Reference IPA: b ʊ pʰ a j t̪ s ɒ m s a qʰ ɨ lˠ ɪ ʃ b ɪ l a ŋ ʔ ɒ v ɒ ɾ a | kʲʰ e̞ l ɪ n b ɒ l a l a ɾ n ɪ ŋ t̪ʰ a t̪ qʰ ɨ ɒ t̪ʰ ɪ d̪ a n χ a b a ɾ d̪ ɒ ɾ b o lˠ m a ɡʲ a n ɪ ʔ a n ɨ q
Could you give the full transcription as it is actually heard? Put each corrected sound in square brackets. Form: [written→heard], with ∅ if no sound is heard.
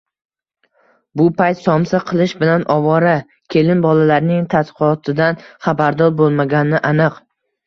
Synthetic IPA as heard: b ʊ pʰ a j t̪ s ɒ m s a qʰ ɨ lˠ ɪ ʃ b ɪ l a [ŋ→n] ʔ ɒ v ɒ ɾ a | kʲʰ e̞ l ɪ n b ɒ l a l a ɾ n ɪ ŋ t̪ʰ a t̪ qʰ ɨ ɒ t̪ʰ ɪ d̪ a n χ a b a ɾ d̪ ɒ ɾ b o lˠ m a ɡʲ a n ɪ ʔ a n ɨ q